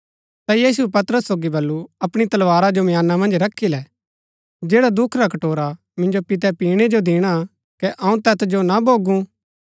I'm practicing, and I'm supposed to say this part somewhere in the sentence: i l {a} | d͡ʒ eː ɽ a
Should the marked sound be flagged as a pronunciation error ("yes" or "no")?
yes